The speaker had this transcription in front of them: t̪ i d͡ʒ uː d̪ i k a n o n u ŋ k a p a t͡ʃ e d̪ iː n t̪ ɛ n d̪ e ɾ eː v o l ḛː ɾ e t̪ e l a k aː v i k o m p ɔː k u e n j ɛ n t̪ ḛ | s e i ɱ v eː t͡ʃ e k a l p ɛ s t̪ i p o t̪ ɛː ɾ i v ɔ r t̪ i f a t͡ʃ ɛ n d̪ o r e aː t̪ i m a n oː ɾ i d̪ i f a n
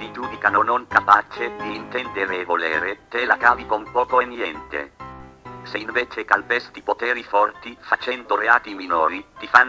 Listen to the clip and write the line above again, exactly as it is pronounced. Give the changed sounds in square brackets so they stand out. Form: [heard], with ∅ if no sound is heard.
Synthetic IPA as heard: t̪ i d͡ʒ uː d̪ i k a n o n [o] ŋ k a p a t͡ʃ e d̪ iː n t̪ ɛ n d̪ e ɾ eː v o l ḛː ɾ e t̪ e l a k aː v i k o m p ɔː k [o] e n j ɛ n t̪ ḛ | s e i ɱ v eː t͡ʃ e k a l p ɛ s t̪ i p o t̪ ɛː ɾ i [f] ɔ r t̪ i f a t͡ʃ ɛ n d̪ o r e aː t̪ i m [i] n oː ɾ i [t̪] i f a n